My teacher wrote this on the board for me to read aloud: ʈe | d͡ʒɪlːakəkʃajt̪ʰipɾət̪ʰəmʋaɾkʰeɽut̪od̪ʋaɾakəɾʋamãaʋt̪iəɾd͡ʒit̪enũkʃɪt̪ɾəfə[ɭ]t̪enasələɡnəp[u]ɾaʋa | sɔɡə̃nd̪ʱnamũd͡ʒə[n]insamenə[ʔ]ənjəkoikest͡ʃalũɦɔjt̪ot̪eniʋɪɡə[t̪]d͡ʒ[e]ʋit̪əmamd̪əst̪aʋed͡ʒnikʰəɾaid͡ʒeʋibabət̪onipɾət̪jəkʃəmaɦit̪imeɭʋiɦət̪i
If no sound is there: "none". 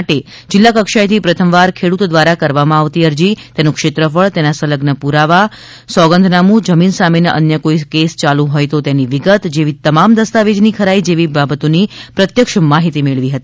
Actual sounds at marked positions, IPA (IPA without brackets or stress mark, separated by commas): ɭ, u, m, ʔ, t̪, e